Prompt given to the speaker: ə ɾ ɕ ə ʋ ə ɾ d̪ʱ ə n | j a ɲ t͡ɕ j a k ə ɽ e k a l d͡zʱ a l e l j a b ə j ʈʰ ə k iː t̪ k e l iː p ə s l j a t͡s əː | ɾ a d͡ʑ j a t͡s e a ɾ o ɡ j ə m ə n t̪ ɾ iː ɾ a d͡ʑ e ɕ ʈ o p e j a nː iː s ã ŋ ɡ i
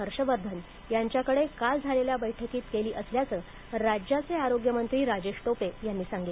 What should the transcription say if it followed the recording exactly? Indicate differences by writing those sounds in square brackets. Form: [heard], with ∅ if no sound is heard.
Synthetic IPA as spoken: ə ɾ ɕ ə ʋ ə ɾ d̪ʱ ə n | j a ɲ t͡ɕ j a k ə ɽ e k a l d͡zʱ a l e l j a b ə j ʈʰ ə k iː t̪ k e l iː [ʔ] ə s l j a t͡s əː | ɾ a d͡ʑ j a t͡s e a ɾ o ɡ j ə m ə n t̪ ɾ iː ɾ a d͡ʑ e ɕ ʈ o p e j a nː iː s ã ŋ ɡ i